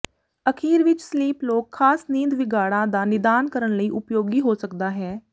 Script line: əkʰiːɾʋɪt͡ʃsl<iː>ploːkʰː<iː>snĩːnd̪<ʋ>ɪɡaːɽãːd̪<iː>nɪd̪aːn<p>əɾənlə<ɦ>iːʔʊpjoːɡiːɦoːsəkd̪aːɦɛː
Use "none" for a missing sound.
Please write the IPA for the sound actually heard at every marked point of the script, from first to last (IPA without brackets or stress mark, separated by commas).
iː, aː, ʋ, aː, k, none